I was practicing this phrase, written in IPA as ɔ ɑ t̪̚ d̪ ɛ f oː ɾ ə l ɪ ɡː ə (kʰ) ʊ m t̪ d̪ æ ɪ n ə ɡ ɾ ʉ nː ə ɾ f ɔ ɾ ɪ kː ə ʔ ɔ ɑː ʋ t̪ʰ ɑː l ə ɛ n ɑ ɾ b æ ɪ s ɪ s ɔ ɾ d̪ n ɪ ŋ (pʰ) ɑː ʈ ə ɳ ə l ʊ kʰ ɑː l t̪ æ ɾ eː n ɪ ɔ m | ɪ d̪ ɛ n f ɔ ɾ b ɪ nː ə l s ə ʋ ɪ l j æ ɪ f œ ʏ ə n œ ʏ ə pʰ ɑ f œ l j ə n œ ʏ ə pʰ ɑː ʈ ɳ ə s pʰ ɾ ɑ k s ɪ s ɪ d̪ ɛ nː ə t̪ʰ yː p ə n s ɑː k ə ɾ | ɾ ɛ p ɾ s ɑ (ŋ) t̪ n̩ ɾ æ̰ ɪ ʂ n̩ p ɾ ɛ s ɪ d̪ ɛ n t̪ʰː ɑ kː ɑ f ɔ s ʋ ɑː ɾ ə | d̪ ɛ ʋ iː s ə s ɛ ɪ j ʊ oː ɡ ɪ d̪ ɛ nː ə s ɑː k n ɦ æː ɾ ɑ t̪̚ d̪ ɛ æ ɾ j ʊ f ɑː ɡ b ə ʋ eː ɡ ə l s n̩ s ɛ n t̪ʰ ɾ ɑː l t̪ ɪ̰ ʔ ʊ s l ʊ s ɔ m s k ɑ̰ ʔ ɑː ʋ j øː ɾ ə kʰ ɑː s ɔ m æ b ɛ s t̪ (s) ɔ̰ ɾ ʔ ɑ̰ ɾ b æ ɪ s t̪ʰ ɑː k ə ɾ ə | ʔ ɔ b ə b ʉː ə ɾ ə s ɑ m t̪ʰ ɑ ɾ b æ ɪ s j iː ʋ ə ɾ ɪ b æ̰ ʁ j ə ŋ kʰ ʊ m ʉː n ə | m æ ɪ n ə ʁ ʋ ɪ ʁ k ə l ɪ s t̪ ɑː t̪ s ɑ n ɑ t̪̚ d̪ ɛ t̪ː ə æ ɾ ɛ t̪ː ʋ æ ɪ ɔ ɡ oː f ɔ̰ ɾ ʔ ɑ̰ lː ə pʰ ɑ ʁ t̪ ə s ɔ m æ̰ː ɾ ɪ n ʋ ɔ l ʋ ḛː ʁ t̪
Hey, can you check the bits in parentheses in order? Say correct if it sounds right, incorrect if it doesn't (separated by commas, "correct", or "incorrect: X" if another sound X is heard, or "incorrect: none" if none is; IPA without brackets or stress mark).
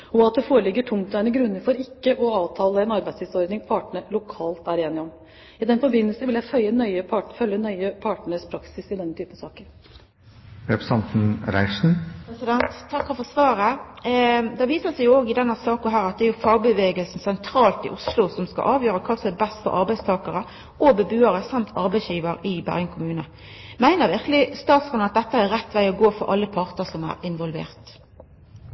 incorrect: ʈʰ, correct, incorrect: n, incorrect: f